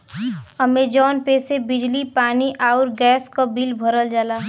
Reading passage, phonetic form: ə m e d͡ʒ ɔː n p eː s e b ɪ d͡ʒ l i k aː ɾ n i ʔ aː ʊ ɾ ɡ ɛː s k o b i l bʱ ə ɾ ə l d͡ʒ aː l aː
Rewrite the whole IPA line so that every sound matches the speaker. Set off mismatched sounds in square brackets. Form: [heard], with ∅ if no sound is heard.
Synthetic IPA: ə m e d͡ʒ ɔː n p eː s e b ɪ d͡ʒ l i [p] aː [∅] n i ʔ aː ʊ ɾ ɡ ɛː s k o b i l bʱ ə ɾ ə l d͡ʒ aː l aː